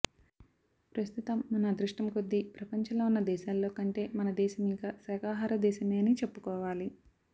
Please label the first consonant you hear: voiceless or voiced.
voiceless